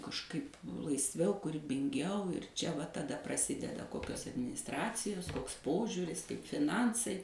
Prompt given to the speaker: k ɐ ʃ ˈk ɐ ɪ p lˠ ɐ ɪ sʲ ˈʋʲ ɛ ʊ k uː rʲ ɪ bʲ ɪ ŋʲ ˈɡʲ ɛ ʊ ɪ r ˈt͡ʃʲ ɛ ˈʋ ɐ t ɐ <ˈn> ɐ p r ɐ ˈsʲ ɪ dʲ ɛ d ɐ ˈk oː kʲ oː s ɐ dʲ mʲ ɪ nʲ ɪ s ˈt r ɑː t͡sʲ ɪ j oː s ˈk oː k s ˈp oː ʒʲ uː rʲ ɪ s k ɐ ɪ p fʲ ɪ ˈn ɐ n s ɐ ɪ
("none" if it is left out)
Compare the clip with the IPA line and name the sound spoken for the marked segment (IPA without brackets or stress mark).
d